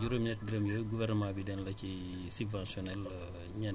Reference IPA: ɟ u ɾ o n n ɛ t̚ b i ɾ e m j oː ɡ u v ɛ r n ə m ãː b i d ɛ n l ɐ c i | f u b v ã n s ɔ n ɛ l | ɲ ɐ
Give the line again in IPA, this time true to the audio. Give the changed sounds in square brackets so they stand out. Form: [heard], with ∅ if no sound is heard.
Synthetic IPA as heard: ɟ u ɾ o [m] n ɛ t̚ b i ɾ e m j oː ɡ u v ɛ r n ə m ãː b i d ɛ n l ɐ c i | [s] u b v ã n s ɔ n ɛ l | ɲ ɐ